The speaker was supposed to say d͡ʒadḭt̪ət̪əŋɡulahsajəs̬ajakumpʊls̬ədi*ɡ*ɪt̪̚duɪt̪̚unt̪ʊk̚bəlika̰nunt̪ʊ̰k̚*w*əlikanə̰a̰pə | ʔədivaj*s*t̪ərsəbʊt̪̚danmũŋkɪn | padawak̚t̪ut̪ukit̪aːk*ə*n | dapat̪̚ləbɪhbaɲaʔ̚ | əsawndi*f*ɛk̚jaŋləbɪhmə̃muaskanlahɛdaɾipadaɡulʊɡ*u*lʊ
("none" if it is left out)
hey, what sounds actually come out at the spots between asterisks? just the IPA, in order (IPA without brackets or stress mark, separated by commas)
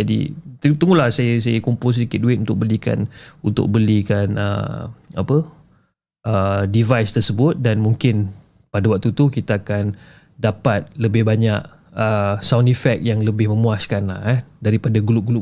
k, b, s, a, f, u